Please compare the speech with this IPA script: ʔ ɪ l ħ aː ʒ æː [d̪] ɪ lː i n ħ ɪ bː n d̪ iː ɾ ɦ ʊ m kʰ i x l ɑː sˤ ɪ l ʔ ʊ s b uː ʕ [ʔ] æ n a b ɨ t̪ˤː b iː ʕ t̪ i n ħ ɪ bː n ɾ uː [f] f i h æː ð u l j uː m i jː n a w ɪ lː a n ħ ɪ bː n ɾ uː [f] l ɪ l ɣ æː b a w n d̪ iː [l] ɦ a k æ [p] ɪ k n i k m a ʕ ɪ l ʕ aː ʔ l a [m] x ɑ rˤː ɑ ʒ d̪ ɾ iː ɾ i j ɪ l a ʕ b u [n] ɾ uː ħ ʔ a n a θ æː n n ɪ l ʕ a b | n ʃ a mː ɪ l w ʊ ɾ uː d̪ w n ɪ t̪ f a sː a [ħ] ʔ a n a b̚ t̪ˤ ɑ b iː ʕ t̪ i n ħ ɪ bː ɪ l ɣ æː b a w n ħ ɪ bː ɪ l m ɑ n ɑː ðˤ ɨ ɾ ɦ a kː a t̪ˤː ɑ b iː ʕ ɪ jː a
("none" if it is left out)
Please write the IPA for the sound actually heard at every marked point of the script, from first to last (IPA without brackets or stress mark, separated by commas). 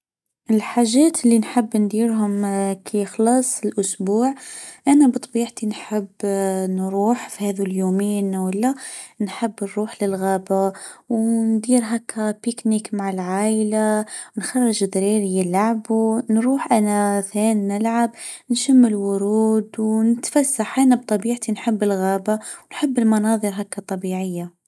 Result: t̪, ʔ, ħ, ħ, ɾ, p, n, n, ħ